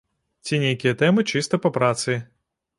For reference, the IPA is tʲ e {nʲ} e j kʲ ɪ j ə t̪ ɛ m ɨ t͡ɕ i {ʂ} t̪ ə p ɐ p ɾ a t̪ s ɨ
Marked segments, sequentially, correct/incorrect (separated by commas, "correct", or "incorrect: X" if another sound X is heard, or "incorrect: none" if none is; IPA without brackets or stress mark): correct, incorrect: s